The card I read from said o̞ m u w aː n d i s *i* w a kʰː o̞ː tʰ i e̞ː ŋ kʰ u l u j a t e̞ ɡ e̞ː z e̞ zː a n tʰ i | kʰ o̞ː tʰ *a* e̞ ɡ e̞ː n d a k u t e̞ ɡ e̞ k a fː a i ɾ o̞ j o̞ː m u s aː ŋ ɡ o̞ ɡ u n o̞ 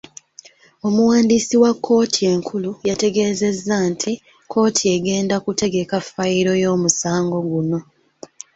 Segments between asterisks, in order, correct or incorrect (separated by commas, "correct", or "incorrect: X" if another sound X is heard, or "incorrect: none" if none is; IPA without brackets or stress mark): correct, incorrect: i